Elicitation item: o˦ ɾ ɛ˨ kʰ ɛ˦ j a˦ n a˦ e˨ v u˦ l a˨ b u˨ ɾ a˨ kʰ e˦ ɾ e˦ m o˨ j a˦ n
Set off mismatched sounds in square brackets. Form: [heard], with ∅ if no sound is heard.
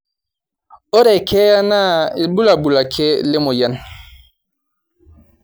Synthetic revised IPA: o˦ ɾ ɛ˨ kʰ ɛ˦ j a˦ n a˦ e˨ [b] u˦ l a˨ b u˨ [l] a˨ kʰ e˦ [l] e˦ m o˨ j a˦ n

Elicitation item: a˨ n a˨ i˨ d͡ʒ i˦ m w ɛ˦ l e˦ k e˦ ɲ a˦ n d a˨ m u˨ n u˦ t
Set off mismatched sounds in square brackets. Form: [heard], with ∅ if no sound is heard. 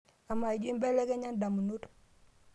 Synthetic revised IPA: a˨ [m] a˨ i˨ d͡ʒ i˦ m [b] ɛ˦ l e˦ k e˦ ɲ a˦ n d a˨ m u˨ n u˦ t

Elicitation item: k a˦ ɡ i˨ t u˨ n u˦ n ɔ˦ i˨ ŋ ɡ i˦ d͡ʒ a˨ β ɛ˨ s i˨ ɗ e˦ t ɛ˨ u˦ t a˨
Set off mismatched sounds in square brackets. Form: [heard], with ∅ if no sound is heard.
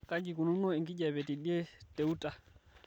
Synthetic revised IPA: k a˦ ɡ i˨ [k] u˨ n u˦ n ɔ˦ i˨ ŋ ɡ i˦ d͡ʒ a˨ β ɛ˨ [t] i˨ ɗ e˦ t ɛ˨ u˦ t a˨

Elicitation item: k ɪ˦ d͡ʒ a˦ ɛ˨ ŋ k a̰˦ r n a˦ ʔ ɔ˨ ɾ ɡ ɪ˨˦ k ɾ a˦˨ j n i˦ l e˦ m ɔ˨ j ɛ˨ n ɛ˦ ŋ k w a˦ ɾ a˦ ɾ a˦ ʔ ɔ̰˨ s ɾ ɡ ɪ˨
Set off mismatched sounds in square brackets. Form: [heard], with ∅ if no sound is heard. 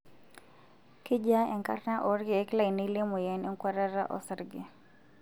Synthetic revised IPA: k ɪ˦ d͡ʒ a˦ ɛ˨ ŋ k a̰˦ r n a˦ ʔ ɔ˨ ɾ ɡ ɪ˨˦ k [l] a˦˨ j n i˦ l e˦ m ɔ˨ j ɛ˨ n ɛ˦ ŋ k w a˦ ɾ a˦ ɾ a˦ ʔ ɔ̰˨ s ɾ ɡ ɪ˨

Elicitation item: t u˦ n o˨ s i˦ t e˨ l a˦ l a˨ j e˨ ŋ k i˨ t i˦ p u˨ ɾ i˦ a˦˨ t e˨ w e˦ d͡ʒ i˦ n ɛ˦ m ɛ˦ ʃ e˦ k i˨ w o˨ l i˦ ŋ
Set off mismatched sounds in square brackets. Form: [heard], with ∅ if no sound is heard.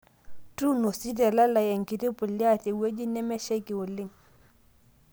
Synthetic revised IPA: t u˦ n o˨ s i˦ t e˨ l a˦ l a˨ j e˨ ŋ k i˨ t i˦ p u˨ [l] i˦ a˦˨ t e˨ w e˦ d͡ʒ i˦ n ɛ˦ m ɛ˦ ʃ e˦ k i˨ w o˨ l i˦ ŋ

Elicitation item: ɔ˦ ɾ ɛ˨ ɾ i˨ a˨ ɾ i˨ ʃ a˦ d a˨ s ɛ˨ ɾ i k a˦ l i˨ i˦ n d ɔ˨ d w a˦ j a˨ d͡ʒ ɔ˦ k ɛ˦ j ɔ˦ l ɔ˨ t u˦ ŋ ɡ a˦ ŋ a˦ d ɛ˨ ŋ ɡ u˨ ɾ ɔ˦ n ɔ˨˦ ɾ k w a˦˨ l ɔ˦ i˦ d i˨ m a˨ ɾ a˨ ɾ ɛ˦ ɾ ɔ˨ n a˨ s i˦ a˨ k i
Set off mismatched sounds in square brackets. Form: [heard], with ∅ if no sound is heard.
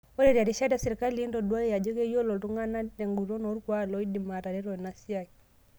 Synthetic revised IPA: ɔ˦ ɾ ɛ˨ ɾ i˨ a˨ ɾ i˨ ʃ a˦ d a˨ s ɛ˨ ɾ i k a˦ l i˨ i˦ n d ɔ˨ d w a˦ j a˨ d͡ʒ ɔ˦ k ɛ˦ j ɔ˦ l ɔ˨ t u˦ ŋ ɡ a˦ [n] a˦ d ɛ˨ ŋ ɡ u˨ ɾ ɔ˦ n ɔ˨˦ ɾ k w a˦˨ l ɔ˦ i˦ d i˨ m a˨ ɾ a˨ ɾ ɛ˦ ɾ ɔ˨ n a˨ s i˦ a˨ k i

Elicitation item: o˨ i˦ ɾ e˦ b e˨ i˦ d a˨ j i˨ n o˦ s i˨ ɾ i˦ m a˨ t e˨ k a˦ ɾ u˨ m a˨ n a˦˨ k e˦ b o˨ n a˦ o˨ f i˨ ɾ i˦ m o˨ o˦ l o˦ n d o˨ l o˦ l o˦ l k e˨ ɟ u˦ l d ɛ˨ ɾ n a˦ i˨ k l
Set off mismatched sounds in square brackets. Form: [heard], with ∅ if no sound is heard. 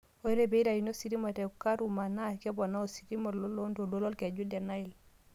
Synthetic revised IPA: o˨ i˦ ɾ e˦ b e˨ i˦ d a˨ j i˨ n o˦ s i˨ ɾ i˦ m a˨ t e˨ k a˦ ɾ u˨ m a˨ n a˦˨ k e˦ b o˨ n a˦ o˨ [s] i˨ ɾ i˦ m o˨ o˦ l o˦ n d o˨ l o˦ l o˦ l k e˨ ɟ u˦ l d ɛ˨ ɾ n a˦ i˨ [∅] l

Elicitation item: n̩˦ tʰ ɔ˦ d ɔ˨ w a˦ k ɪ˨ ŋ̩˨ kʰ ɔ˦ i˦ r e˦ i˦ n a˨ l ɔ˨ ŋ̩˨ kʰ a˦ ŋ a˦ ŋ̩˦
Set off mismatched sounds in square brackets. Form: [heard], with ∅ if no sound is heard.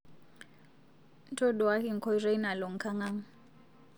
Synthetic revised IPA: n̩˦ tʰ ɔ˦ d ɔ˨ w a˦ k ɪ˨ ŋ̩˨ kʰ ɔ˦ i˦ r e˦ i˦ n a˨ l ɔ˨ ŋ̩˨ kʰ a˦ ŋ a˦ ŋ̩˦

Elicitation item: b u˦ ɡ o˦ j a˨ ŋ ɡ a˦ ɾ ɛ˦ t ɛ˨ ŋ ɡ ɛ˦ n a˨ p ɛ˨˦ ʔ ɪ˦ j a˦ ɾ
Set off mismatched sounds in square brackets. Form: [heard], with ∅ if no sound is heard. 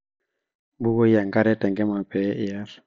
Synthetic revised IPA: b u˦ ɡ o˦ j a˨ ŋ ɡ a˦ ɾ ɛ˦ t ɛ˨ ŋ ɡ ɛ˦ [m] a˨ p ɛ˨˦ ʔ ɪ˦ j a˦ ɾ

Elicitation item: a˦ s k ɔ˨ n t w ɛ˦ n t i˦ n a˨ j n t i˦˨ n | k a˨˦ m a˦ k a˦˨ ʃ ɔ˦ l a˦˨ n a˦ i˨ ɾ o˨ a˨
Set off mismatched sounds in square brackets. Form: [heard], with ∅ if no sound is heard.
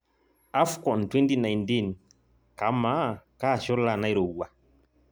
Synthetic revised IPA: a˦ [f] k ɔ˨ n t w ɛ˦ n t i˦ n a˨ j n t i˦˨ n | k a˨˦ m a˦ k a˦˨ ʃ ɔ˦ l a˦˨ n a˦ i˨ ɾ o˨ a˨

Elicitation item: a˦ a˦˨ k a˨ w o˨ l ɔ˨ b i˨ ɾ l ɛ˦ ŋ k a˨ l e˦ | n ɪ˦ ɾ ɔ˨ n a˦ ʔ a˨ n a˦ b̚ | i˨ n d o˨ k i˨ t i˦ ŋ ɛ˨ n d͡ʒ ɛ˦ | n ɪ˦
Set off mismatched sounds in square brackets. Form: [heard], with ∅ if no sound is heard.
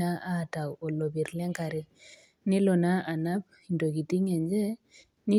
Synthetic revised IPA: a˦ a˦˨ [t] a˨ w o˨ l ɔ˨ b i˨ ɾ l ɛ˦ ŋ k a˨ [ɾ] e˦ | n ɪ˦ [l] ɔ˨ n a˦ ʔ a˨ n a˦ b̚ | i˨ n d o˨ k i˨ t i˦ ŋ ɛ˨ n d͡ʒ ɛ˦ | n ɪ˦

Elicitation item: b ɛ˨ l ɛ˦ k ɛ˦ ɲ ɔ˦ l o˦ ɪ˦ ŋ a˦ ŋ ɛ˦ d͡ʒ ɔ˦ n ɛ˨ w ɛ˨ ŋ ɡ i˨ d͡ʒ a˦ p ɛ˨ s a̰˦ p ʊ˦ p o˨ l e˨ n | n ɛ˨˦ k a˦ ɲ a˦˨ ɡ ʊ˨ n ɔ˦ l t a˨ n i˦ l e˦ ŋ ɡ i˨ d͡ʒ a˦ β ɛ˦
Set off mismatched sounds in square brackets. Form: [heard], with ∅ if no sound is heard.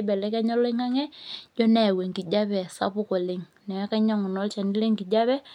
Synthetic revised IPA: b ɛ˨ l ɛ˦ k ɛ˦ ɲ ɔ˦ l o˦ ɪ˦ ŋ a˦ ŋ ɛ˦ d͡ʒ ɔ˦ n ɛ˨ w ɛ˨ ŋ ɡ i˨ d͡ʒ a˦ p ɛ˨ s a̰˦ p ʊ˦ [k] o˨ l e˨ [ŋ] | n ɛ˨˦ k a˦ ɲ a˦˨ [ŋ] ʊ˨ n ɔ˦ l [t͡ʃ] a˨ n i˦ l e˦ ŋ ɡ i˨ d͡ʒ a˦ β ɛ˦

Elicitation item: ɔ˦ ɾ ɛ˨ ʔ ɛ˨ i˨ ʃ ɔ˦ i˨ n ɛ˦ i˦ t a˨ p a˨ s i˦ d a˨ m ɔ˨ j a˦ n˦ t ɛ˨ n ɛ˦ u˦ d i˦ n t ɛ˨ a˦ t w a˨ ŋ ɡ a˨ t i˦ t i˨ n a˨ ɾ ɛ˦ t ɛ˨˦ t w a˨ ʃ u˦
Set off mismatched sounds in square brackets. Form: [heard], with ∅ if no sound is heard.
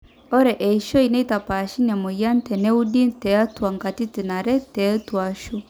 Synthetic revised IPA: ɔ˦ ɾ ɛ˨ ʔ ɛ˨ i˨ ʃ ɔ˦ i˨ n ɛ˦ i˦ t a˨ p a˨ [ʃ] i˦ [n] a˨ m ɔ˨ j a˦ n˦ t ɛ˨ n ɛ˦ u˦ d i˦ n t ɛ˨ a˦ t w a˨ ŋ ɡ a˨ t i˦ t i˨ n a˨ ɾ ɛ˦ t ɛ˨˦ t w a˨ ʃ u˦

